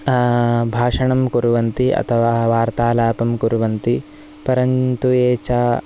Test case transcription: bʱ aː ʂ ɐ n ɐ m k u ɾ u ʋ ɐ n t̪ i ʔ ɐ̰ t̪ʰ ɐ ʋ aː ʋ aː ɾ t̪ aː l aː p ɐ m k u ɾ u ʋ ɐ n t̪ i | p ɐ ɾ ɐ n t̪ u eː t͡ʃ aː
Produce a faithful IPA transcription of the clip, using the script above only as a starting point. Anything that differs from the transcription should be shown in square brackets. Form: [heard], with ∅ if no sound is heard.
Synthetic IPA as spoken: bʱ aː ʂ ɐ [ɳ] ɐ m k u ɾ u ʋ ɐ n t̪ i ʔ ɐ̰ t̪ʰ ɐ ʋ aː ʋ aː ɾ t̪ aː l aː p ɐ m k u ɾ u ʋ ɐ n t̪ i | p ɐ ɾ ɐ n t̪ u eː t͡ʃ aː